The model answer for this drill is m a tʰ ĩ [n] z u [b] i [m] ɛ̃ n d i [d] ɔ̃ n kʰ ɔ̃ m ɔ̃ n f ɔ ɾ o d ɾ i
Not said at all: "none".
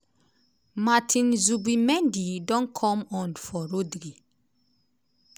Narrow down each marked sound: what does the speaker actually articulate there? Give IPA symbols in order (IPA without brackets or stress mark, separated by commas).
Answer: n, b, m, d